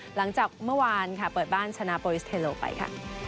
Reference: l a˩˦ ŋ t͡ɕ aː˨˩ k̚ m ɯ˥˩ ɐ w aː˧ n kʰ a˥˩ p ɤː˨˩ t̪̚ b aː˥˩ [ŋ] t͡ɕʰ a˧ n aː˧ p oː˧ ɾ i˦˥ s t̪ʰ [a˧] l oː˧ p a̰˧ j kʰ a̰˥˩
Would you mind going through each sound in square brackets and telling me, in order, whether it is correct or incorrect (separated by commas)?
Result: incorrect, incorrect